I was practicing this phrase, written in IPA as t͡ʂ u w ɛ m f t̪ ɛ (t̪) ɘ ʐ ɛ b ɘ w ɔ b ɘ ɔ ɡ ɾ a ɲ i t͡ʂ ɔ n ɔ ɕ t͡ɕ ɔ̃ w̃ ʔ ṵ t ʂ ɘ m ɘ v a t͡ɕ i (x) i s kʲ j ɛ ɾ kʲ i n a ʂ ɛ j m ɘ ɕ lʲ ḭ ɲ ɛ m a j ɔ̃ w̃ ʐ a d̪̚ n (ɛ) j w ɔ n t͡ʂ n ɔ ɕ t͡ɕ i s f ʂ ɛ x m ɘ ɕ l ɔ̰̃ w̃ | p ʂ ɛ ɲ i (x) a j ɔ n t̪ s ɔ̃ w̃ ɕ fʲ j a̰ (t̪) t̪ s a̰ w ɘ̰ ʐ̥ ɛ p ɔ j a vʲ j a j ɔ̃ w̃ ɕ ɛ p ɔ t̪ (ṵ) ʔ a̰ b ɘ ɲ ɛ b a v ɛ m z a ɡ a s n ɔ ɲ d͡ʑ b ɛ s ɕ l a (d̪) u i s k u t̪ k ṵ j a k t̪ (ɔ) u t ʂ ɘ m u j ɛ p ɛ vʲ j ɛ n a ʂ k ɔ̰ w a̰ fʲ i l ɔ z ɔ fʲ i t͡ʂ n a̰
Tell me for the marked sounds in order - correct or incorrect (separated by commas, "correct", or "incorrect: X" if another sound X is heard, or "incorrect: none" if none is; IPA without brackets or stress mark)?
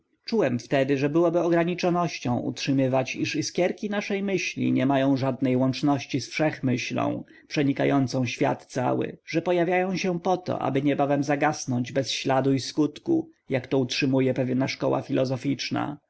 incorrect: d̪, incorrect: ʂ, correct, incorrect: k, correct, incorrect: ɔ̰, correct, correct